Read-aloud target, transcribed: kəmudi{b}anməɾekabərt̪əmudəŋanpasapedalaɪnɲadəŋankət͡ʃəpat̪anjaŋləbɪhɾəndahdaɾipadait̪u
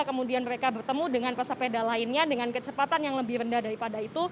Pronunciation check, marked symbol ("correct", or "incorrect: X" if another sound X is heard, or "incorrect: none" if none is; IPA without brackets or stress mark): incorrect: none